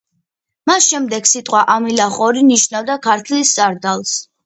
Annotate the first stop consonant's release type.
plain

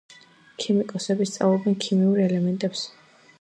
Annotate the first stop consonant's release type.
aspirated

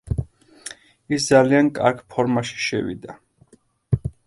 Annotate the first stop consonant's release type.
plain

